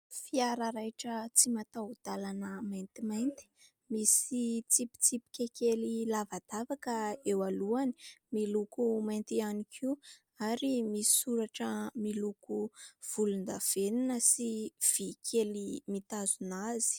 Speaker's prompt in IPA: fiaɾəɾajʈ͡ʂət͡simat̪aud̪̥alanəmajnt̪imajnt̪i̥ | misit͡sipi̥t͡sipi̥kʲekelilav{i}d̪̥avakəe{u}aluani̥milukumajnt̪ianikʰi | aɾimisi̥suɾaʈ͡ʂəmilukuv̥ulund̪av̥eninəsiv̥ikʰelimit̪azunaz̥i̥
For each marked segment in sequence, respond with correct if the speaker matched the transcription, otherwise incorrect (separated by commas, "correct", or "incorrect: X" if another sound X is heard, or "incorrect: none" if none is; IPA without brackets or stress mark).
incorrect: a, incorrect: w